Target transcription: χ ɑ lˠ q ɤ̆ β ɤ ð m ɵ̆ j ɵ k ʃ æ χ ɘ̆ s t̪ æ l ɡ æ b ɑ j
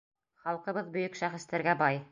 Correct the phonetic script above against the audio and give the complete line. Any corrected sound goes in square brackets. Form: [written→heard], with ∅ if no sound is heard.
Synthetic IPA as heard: χ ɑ lˠ q ɤ̆ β ɤ ð [m→b] ɵ̆ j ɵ k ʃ æ χ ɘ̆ s t̪ æ [l→ɾ] ɡ æ b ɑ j